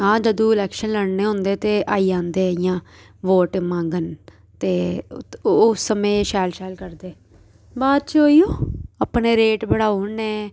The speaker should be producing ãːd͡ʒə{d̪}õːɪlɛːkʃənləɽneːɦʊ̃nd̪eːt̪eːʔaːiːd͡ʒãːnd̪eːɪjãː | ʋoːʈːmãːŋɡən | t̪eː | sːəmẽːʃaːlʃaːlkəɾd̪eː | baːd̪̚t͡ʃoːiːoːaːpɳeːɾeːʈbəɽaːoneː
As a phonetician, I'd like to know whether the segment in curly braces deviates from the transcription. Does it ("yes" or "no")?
no